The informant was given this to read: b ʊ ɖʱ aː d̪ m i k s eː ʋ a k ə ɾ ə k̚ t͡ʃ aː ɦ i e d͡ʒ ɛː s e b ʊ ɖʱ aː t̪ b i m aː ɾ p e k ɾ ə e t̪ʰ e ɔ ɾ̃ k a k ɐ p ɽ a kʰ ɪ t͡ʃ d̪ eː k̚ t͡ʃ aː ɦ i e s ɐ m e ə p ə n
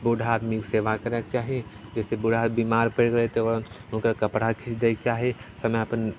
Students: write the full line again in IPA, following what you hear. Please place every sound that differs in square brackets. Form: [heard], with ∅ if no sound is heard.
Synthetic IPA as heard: b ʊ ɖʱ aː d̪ m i k s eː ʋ a k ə ɾ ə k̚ t͡ʃ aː ɦ i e d͡ʒ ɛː s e b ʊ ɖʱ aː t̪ b i m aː ɾ p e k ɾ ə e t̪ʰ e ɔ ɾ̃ k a k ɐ p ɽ a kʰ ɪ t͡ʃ d̪ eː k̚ t͡ʃ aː ɦ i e s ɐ m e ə p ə n